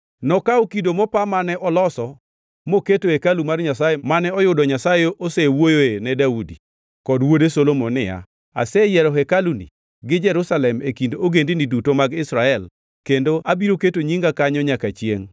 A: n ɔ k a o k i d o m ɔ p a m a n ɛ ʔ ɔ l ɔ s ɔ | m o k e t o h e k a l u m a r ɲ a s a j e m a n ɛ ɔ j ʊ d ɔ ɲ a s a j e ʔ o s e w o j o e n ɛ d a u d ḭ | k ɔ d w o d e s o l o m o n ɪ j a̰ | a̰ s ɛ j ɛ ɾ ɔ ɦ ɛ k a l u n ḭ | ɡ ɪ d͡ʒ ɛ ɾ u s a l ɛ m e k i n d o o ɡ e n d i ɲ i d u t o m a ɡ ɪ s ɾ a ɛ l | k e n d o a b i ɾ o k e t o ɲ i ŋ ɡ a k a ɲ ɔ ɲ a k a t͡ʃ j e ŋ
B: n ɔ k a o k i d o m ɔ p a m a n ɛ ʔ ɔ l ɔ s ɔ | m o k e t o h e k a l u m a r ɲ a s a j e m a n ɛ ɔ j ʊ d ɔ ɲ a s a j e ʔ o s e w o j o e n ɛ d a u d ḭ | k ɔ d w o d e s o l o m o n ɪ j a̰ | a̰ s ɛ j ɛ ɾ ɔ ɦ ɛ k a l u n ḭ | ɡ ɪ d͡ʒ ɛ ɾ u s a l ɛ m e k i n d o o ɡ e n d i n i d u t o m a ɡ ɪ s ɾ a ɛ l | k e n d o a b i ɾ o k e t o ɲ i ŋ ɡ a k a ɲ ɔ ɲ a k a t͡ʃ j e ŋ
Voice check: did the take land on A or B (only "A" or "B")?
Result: B